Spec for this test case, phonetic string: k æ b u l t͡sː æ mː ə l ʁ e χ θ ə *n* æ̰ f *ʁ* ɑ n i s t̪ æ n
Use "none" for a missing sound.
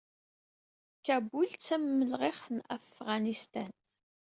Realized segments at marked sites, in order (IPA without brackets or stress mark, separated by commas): n, ʁ